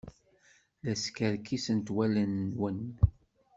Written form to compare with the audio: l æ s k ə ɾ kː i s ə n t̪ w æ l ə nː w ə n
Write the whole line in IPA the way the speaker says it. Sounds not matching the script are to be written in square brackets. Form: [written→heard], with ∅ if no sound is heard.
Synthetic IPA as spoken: l æ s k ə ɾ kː i s ə n t̪ w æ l ə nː w ə n

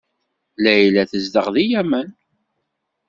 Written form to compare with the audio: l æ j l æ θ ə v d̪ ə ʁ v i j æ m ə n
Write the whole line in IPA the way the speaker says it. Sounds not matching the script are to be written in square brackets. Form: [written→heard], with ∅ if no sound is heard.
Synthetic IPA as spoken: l æ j l æ θ ə [v→z] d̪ ə ʁ [v→ð] i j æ m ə n

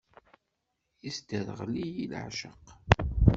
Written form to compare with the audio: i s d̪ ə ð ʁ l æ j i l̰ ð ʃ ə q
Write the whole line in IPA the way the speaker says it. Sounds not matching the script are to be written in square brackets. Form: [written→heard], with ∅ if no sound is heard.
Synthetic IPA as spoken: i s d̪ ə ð ʁ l [æ→i] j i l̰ [ð→ʕ] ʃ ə q

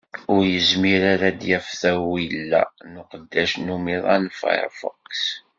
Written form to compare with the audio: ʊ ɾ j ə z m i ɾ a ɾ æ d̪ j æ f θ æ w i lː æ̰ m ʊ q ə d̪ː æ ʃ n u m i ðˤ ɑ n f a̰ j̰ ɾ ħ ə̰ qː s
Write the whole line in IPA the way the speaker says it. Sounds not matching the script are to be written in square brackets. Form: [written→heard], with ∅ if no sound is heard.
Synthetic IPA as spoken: ʊ ɾ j ə z m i ɾ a ɾ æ d̪ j æ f θ æ w i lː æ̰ [m→n] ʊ q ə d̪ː æ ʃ n u m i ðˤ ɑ n f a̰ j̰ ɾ [ħ→f] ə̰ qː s

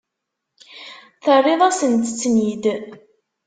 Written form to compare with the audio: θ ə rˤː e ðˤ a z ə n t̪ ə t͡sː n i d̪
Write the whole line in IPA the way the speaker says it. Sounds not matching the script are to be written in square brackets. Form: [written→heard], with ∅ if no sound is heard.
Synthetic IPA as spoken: θ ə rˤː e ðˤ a [z→s] ə n t̪ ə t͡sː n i d̪

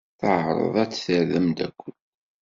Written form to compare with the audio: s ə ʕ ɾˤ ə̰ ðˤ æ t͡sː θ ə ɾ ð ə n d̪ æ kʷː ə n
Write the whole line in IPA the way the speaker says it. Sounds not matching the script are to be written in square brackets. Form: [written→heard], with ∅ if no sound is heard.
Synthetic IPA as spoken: [s→θ] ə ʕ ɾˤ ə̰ ðˤ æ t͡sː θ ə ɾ ð ə [n→m] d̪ æ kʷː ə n

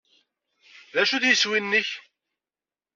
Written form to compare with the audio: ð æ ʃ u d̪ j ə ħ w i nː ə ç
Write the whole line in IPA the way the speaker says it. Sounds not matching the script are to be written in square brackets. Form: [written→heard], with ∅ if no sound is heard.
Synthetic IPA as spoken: ð æ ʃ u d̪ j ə [ħ→s] w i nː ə ç

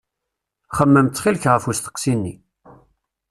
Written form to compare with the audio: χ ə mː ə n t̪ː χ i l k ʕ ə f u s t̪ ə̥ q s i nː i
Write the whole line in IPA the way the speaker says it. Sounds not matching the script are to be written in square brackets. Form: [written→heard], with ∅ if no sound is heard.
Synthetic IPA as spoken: χ ə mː ə [n→m] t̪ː χ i l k [ʕ→ʁ] ə f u s t̪ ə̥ q s i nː i

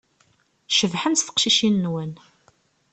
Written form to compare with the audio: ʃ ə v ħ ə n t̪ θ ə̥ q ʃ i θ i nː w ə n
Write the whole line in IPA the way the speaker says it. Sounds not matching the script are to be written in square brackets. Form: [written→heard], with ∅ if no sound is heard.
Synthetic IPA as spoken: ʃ ə v ħ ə n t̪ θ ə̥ q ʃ i [θ→ʃ] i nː w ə n

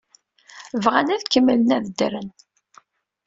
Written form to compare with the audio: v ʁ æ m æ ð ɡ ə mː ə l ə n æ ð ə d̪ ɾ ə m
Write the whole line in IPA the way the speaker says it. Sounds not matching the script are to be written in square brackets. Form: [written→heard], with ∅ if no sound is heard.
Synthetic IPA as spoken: v ʁ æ [m→n] æ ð [ɡ→k] ə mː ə l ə n æ ð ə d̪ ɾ ə [m→n]

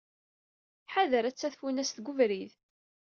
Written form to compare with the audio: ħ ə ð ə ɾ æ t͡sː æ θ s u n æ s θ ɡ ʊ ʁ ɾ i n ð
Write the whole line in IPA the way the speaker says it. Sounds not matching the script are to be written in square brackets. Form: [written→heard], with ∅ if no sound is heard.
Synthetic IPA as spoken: ħ [ə→a] ð ə ɾ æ t͡sː æ θ [s→f] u n æ s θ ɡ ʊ [ʁ→v] ɾ i [n→∅] ð

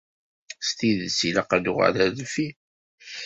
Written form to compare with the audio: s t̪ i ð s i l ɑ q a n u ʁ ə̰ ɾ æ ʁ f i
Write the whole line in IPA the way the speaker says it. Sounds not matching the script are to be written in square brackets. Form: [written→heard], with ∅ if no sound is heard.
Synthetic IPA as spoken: s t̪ i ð s i l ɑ q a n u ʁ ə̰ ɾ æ [ʁ→ð] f i

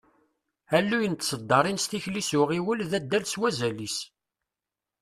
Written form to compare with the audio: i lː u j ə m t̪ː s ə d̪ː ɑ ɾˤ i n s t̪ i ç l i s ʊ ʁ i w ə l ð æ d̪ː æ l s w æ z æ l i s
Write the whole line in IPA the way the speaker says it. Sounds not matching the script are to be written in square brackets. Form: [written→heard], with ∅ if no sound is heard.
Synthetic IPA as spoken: [i→æ] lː u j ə [m→n] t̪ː s ə d̪ː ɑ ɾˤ i n s t̪ i ç l i s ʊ ʁ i w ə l ð æ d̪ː æ l s w æ z æ l i s

